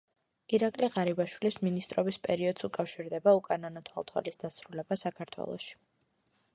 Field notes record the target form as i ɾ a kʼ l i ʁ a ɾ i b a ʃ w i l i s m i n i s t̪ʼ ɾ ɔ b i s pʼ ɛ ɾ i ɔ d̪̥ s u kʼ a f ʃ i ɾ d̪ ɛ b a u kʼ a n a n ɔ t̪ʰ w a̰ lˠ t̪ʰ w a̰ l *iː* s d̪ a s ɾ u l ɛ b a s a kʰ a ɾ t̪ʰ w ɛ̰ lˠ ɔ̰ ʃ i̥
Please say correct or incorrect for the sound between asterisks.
incorrect